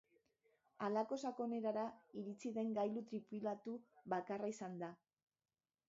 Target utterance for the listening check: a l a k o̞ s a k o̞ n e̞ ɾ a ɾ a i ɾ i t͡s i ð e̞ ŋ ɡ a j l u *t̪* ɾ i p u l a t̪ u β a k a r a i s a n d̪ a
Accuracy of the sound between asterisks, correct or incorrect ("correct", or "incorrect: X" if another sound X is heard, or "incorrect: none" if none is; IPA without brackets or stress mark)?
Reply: correct